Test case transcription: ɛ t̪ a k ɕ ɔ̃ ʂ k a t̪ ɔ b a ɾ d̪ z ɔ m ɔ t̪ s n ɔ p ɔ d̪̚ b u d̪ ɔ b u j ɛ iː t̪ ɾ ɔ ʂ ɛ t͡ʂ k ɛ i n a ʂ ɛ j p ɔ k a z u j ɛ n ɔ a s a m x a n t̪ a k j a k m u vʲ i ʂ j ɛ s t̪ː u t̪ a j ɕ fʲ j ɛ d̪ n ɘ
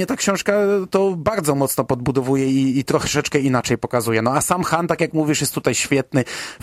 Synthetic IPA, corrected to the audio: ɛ t̪ a k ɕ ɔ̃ ʂ k a t̪ ɔ b a ɾ d̪ z ɔ m ɔ t̪ s n ɔ p ɔ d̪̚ b u d̪ ɔ v u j ɛ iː t̪ ɾ ɔ ʂ ɛ t͡ʂ k ɛ i n a t͡ʂ ɛ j p ɔ k a z u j ɛ n ɔ a s a m x a n t̪ a k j a k m u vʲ i ʂ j ɛ s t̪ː u t̪ a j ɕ fʲ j ɛ t̪ n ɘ